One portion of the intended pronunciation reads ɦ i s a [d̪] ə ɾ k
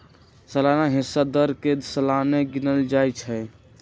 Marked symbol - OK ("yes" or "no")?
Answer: yes